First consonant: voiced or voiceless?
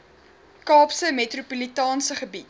voiceless